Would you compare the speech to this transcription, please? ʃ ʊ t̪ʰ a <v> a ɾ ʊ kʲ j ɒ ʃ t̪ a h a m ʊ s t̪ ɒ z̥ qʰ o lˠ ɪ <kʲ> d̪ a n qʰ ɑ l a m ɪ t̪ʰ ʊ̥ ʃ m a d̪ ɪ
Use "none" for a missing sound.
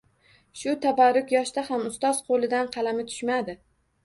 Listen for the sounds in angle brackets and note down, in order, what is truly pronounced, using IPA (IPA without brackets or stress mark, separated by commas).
b, none